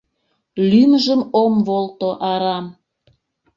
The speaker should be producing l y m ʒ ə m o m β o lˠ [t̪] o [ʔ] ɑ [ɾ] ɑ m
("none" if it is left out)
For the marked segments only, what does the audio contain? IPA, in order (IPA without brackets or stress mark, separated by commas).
t̪, ʔ, ɾ